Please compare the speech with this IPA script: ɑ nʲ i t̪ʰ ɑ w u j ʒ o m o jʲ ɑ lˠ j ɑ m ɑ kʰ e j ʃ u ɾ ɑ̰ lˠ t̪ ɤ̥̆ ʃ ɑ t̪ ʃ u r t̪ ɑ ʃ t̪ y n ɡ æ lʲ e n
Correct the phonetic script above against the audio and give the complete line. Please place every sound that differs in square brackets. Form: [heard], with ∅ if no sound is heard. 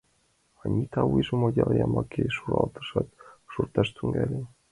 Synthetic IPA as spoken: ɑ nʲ i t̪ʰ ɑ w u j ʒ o m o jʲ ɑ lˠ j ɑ m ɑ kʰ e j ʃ u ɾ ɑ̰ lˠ t̪ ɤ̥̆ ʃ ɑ t̪ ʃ u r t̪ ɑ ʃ t̪ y [ŋ] ɡ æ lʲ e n